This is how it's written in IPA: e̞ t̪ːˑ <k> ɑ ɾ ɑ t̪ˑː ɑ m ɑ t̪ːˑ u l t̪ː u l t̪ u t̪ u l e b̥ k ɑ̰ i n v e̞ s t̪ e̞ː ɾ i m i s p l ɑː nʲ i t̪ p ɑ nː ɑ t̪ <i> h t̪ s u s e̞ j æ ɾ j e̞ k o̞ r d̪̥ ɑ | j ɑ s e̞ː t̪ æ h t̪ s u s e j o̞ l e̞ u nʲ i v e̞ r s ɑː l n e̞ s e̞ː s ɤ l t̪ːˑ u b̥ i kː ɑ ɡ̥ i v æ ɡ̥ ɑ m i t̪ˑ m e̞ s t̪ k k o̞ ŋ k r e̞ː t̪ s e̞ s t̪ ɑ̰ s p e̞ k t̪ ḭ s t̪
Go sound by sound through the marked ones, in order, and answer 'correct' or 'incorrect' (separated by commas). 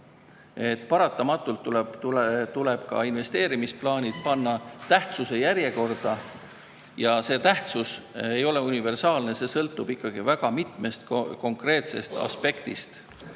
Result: incorrect, incorrect